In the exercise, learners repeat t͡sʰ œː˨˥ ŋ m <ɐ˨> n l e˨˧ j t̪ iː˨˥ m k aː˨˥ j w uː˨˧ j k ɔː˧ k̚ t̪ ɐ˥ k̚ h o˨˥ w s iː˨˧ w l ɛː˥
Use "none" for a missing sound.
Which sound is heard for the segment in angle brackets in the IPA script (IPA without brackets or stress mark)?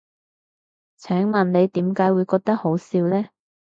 ɐ˨